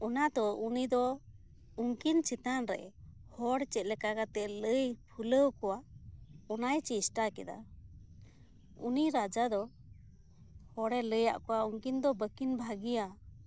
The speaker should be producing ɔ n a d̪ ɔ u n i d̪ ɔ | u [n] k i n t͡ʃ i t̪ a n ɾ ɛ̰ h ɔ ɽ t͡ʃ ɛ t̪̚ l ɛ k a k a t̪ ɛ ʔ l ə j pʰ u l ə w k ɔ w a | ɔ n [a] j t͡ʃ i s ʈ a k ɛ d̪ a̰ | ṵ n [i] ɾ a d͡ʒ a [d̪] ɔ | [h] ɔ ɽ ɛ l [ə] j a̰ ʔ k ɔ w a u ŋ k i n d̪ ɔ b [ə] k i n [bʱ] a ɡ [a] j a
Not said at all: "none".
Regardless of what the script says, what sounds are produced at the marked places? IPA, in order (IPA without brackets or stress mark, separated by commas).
ŋ, a, i, d̪, h, ə, ə, bʱ, i